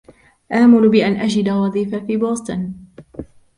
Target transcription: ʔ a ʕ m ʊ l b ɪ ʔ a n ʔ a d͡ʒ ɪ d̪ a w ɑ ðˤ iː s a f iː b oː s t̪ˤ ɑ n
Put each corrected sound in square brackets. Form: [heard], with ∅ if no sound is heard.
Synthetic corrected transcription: ʔ a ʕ m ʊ l b ɪ ʔ a n ʔ a d͡ʒ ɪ d̪ a w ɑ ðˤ iː [f] a f iː b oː s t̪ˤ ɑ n